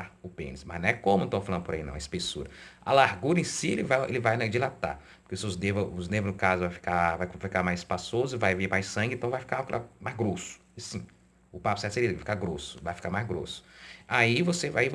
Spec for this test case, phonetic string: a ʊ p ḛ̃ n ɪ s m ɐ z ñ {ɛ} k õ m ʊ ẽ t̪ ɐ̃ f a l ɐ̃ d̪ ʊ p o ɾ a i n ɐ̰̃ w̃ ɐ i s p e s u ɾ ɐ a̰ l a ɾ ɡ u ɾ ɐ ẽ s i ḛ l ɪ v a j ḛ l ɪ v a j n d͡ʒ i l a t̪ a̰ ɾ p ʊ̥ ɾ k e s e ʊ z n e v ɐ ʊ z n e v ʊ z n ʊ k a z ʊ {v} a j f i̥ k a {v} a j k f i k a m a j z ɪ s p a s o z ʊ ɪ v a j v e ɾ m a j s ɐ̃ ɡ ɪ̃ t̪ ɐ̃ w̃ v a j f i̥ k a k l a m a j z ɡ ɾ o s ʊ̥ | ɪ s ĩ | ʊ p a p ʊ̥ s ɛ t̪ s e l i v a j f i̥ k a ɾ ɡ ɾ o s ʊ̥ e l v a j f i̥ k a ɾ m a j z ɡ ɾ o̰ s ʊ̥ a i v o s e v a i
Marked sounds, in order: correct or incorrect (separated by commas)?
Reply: correct, correct, correct